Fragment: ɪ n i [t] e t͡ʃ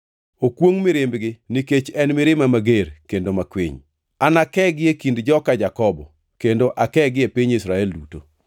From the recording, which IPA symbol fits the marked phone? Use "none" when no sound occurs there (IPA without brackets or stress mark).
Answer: k